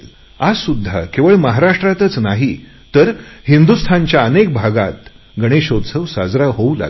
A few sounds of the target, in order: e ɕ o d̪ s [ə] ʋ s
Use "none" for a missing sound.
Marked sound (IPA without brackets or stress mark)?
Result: ə